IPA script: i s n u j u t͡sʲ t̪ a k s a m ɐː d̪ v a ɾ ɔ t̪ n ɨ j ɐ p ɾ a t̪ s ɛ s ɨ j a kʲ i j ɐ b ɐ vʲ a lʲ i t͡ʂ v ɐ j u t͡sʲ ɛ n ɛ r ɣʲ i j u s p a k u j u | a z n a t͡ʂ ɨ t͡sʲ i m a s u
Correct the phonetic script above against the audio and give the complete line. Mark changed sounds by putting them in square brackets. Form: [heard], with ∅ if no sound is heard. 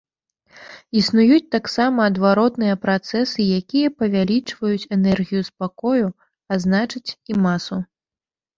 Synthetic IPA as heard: i s n u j u t͡sʲ t̪ a k s a m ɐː d̪ v a ɾ ɔ t̪ n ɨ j ɐ p ɾ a t̪ s ɛ s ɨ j a kʲ i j ɐ [p] ɐ vʲ a lʲ i t͡ʂ v ɐ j u t͡sʲ ɛ n ɛ r ɣʲ i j u s p a k [ɔ] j u | a z n a t͡ʂ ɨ t͡sʲ i m a s u